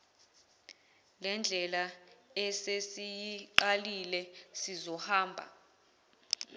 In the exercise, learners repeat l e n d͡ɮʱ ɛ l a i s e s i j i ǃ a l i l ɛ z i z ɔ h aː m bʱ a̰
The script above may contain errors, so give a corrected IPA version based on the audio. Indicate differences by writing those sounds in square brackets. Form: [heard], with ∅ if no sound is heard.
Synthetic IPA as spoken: l [ɛ] n d͡ɮʱ ɛ l a [ɛ] s e s i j i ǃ a l i l ɛ [s] i z ɔ h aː m bʱ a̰